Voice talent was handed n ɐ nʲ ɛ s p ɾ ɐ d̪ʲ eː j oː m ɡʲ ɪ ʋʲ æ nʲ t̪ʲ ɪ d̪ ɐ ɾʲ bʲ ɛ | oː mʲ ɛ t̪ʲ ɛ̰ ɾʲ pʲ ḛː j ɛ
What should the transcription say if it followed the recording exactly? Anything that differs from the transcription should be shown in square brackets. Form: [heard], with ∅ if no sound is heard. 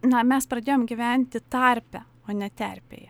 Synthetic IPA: n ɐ [mʲ] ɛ s p ɾ ɐ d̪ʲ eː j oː m ɡʲ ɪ ʋʲ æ nʲ t̪ʲ ɪ [t̪] ɐ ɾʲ [pʲ] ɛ | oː [nʲ] ɛ t̪ʲ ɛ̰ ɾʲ pʲ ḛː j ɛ